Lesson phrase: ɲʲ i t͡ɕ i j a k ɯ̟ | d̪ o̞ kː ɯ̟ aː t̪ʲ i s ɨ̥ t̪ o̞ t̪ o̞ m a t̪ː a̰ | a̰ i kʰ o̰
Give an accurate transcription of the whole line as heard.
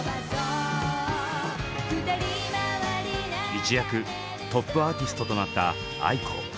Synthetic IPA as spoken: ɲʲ i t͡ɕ i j a k ɯ̟ | t̪ o̞ pː ɯ̟ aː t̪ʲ i s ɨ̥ t̪ o̞ t̪ o̞ n a t̪ː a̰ | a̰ i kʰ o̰